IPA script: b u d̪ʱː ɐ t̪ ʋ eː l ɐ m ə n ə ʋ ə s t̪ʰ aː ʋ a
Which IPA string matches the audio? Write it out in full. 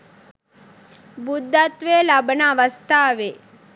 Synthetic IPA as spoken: b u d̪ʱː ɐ t̪ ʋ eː l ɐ b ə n a ʋ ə s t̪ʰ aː ʋ e

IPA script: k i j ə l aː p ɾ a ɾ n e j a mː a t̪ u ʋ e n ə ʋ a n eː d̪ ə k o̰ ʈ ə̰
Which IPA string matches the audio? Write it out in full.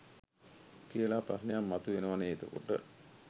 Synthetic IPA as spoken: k i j ə l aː p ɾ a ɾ n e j a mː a t̪ u ʋ e n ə ʋ a n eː t̪ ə k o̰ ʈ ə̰

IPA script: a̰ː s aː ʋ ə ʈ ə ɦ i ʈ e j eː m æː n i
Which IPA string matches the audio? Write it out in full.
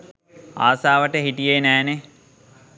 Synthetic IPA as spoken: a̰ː s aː ʋ ə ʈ ə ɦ i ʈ i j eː n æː n e

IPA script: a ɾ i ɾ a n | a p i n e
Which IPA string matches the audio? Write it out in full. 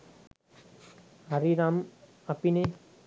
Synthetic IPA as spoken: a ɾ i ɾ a m | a p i n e

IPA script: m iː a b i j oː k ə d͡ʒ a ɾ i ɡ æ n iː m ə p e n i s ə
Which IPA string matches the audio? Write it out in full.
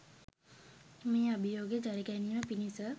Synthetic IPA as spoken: m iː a b i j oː ɡ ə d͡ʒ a ɾ i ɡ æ n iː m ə p i n i s ə

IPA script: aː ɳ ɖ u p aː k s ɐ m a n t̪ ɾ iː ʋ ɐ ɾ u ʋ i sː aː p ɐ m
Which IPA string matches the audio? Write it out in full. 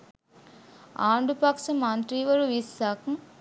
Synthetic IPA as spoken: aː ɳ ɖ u p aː k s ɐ m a n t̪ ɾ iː ʋ ɐ ɾ u ʋ i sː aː k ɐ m

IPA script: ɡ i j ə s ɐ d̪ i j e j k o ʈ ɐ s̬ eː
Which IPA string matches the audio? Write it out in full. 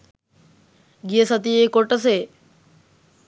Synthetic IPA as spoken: ɡ i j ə s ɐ t̪ i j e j k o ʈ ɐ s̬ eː

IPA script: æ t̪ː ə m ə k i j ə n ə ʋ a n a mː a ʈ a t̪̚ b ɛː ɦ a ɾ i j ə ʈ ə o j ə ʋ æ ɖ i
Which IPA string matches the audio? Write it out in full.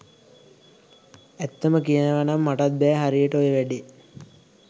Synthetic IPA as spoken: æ t̪ː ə m ə k i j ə n ə ʋ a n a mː a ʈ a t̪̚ b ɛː ɦ a ɾ i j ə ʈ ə o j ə ʋ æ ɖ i

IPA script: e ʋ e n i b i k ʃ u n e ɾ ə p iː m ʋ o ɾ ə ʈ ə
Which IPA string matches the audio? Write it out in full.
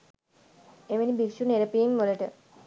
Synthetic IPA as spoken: e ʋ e n i b i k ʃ u n e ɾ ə p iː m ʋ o l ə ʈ ə

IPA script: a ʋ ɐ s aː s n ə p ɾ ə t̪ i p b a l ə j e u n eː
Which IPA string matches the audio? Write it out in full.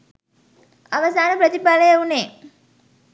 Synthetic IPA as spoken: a ʋ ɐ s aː n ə p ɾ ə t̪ i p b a l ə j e u n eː

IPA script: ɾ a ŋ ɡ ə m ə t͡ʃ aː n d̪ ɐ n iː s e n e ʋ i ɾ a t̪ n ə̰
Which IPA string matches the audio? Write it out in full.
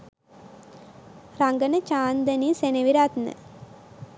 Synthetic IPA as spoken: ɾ a ŋ ɡ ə n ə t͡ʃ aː n d̪ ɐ n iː s e n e ʋ i ɾ a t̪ n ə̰

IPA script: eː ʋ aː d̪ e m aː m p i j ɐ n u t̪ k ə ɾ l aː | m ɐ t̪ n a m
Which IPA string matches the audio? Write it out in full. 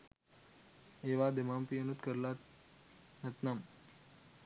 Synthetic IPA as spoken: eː ʋ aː d̪ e m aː m p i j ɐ n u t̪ k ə ɾ l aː | n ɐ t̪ n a m

